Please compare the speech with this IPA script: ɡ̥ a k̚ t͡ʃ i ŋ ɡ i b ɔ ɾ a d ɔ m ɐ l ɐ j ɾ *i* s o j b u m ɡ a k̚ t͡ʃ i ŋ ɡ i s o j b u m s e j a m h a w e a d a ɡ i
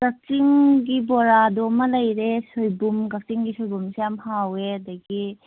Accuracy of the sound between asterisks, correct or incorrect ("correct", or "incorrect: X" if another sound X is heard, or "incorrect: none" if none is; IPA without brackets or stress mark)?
incorrect: e